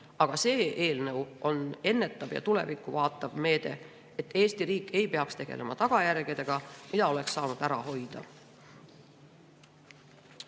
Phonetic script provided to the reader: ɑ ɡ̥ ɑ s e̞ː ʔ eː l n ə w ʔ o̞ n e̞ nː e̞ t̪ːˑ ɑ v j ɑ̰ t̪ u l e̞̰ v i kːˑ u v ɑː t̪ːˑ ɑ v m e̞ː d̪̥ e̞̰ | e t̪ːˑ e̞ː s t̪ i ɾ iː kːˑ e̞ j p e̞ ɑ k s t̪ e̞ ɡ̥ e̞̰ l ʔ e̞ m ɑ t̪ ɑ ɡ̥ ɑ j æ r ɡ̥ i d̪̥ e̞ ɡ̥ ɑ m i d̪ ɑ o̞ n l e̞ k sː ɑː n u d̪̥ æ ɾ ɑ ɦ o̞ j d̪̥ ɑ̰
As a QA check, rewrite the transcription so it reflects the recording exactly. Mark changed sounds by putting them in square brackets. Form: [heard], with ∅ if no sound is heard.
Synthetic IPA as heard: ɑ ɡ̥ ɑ s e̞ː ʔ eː l n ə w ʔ o̞ n e̞ nː e̞ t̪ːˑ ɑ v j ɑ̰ t̪ u l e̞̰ v i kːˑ u v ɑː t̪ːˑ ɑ v m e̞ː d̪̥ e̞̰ | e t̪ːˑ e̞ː s t̪ i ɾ iː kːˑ e̞ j p e̞ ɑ k s t̪ e̞ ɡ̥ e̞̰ l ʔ e̞ m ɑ t̪ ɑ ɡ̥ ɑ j æ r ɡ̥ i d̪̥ e̞ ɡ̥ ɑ m i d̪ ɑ o̞ [∅] l e̞ k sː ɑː n u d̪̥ æ ɾ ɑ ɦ o̞ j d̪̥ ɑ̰